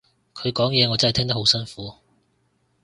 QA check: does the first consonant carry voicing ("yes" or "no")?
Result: no